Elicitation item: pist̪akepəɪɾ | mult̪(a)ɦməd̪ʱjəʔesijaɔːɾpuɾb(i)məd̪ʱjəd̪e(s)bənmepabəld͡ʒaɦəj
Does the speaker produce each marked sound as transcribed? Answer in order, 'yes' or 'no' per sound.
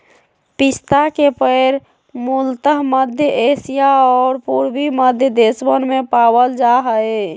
no, yes, yes

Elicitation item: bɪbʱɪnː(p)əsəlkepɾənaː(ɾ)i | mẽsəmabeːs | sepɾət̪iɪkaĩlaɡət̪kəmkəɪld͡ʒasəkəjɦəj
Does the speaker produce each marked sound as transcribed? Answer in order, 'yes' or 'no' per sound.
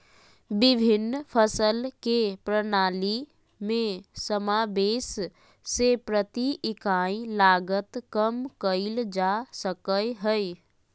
no, no

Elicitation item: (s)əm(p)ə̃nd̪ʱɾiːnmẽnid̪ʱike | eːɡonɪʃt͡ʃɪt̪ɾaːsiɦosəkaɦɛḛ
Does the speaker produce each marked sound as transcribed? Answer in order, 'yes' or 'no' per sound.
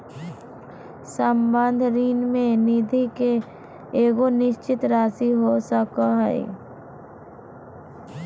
yes, no

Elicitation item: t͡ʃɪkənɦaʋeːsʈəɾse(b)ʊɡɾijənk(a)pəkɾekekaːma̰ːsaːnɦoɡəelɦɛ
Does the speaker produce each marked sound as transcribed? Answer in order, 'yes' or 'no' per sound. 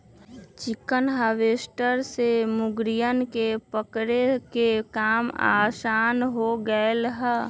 no, no

